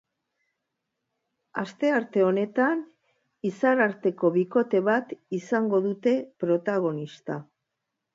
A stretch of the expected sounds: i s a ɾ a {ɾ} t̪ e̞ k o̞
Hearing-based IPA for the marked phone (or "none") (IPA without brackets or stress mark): ɾ